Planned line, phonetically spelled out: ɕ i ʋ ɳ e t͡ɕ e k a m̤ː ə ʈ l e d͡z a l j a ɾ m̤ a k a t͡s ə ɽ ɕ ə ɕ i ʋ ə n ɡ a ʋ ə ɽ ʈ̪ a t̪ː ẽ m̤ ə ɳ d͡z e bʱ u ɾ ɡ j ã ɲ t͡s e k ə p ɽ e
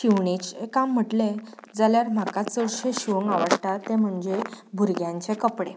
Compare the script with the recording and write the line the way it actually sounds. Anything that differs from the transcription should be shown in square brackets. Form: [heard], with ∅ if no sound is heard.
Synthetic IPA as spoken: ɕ i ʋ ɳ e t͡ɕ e k a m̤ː ə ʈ l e d͡z a l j a ɾ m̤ a k a t͡s ə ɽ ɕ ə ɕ i ʋ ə [ŋ] ɡ a ʋ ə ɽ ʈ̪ a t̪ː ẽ m̤ ə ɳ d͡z e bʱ u ɾ ɡ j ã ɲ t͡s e k ə p ɽ e